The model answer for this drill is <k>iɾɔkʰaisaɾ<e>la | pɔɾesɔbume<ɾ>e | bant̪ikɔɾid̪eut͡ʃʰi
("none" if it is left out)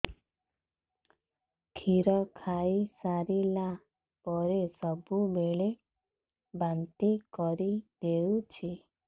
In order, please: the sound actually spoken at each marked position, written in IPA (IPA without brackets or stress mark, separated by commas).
kʰ, i, ɭ